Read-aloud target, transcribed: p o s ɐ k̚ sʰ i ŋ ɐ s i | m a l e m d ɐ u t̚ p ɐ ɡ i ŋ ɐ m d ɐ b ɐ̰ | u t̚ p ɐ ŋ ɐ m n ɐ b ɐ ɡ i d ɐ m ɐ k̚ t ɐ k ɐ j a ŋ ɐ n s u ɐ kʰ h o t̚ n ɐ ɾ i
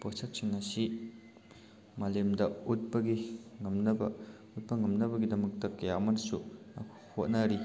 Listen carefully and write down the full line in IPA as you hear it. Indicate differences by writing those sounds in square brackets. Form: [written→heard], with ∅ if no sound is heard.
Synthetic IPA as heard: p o s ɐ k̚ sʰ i ŋ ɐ s i | m a l e m d ɐ u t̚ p ɐ ɡ i ŋ ɐ m [d→n] ɐ b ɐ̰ | u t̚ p ɐ ŋ ɐ m n ɐ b ɐ ɡ i d ɐ m ɐ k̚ t ɐ k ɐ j a [ŋ→m] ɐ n s u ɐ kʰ h o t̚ n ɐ ɾ i